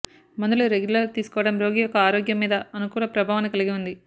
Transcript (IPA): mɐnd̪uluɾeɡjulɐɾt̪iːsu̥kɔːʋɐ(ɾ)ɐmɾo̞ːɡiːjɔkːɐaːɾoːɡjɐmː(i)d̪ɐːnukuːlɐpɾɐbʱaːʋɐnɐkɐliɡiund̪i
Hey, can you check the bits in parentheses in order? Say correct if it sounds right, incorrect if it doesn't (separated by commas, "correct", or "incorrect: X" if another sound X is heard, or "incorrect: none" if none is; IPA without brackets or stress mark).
incorrect: ɽ, incorrect: iː